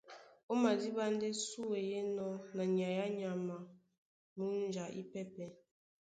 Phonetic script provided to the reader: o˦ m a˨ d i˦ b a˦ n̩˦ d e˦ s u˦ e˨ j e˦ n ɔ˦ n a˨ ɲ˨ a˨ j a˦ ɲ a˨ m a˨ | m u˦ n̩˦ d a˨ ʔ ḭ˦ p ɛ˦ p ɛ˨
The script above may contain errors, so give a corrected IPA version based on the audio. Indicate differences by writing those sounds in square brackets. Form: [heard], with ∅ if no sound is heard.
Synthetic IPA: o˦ m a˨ d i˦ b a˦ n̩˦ d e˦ s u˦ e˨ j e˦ n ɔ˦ n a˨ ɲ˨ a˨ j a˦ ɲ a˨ m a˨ | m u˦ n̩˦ [d͡ʒ] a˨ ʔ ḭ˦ p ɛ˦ p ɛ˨